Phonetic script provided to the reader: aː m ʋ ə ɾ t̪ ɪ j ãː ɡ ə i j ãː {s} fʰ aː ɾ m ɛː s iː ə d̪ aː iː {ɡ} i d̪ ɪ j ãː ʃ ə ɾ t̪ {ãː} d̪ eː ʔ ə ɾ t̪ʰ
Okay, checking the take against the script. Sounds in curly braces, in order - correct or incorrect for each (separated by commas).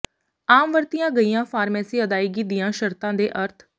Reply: incorrect, correct, correct